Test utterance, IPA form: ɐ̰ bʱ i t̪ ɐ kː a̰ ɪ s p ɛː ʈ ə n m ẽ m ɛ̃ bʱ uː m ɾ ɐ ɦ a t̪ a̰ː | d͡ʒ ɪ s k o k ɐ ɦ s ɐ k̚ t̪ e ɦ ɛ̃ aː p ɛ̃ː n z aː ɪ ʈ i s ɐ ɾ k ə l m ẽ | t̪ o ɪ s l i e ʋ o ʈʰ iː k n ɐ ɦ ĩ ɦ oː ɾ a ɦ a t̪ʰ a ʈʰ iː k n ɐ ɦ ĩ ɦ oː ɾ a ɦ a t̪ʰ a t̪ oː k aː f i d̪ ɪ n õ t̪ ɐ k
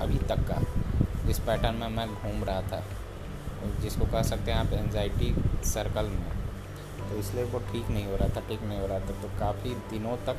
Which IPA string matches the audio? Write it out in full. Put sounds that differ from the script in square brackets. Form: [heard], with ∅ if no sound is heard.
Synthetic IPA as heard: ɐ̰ bʱ i t̪ ɐ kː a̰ ɪ s p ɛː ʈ ə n m ẽ m ɛ̃ [ɡʱ] uː m ɾ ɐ ɦ a [t̪ʰ] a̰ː | d͡ʒ ɪ s k o k ɐ ɦ s ɐ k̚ t̪ e ɦ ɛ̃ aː p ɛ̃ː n z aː ɪ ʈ i s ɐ ɾ k ə l m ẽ | t̪ o ɪ s l i e ʋ o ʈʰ iː k n ɐ ɦ ĩ ɦ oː ɾ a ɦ a t̪ʰ a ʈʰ iː k n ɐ ɦ ĩ ɦ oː ɾ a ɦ a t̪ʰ a t̪ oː k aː f i d̪ ɪ n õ t̪ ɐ k